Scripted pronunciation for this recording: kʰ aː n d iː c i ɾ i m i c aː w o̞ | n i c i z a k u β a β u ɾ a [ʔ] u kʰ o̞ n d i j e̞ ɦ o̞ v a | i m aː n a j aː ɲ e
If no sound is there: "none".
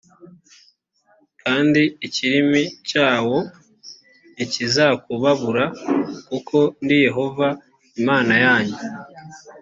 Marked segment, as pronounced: k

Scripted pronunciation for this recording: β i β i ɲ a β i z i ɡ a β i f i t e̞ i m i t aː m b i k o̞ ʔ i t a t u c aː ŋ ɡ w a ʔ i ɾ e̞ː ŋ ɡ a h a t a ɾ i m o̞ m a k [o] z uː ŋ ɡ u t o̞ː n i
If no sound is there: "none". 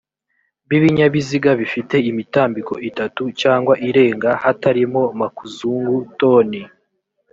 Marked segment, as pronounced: u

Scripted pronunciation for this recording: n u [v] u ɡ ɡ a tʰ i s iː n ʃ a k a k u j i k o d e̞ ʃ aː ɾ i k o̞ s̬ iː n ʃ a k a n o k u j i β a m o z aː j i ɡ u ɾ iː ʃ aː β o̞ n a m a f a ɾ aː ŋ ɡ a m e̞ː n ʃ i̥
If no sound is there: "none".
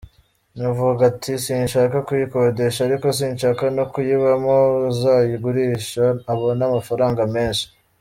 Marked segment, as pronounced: v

